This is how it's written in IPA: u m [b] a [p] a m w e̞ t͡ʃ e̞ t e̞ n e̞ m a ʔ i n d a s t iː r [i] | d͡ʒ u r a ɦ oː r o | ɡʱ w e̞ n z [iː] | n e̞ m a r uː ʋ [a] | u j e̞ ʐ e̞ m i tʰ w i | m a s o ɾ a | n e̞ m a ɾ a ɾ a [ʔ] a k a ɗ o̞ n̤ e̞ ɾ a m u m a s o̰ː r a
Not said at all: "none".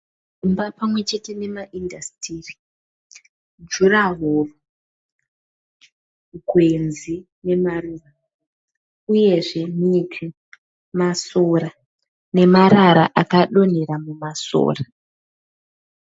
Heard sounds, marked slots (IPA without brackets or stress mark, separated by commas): b, p, i, i, a, ʔ